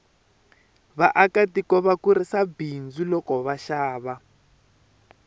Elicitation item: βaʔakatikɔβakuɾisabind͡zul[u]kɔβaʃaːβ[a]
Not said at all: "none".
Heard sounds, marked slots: ɔ, a

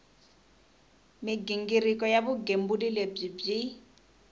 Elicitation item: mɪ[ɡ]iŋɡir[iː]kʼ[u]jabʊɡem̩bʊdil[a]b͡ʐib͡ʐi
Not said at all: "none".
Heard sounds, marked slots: ɡ, i, ɔ, e

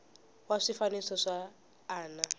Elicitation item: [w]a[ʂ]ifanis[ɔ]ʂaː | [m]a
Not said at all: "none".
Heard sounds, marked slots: w, ʂ, ɔ, n

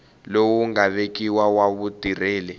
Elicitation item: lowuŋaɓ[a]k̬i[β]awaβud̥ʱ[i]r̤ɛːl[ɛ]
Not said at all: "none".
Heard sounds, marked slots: e, w, i, ɛ

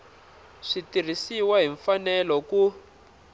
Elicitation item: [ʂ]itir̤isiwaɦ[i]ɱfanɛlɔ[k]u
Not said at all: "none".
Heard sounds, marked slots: ʂ, i, k

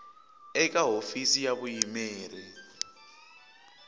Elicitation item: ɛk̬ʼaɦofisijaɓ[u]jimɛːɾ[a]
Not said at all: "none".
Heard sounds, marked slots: u, ɛ

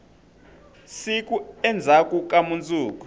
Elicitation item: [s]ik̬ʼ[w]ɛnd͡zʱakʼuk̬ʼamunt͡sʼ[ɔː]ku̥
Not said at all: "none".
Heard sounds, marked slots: s, u, uː

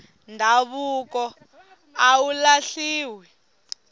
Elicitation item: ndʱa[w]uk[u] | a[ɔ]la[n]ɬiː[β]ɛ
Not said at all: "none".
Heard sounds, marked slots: β, ɔ, u, none, w

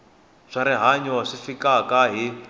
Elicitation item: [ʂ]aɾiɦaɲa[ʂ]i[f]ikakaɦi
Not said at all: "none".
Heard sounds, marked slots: ʂ, ʂ, f

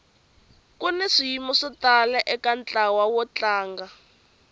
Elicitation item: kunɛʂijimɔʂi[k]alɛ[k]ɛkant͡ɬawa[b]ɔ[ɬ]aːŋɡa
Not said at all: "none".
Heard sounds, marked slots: t, ʔ, w, t͡ɬ

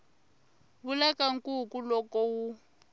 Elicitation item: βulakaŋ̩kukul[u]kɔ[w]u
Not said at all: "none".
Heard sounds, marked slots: ɔ, w

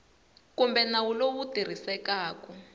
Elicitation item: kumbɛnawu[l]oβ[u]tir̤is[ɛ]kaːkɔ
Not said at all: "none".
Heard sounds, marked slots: l, u, ɛ

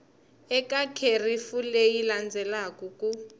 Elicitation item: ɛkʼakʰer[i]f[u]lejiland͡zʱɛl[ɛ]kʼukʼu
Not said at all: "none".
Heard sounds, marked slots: i, u, a

